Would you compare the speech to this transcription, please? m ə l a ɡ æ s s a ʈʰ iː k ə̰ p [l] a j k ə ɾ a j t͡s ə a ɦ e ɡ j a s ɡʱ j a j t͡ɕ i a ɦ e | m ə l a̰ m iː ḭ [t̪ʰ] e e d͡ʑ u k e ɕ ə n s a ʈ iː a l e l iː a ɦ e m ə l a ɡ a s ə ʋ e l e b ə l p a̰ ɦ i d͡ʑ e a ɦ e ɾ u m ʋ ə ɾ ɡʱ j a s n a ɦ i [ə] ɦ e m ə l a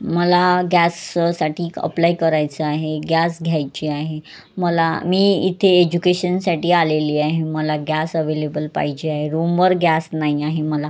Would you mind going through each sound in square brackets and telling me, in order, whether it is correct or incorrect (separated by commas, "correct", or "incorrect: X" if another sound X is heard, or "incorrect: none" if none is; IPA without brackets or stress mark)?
correct, correct, incorrect: a